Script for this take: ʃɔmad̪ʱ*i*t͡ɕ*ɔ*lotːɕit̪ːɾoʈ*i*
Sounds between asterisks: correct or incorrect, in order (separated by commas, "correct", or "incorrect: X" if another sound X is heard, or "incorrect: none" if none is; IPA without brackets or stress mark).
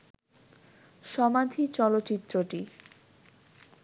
correct, correct, correct